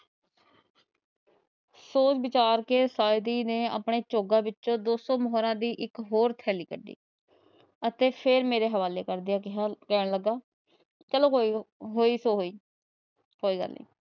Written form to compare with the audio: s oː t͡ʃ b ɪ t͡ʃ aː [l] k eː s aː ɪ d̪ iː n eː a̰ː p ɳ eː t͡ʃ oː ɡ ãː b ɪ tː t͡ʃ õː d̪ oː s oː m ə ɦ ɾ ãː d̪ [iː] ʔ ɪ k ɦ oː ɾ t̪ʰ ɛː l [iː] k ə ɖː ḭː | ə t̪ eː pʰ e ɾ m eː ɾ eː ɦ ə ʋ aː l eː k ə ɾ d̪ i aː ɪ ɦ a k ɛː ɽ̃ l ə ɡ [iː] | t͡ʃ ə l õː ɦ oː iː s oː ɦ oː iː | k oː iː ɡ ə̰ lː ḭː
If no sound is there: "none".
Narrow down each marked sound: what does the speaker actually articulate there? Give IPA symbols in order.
ɾ, iː, iː, aː

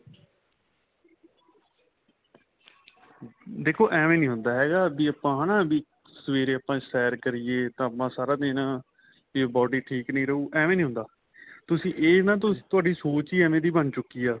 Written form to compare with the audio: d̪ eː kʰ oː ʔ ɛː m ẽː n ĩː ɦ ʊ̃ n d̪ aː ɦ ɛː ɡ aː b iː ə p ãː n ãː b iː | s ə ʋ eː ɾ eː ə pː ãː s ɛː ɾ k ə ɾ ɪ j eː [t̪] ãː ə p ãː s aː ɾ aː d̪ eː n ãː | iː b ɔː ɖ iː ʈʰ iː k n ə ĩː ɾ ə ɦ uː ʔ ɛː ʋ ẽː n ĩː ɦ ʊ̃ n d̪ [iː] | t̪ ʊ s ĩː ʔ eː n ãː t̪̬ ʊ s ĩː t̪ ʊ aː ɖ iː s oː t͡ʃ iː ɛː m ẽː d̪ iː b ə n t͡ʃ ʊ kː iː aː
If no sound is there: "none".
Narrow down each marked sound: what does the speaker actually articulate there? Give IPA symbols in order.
t̪, aː

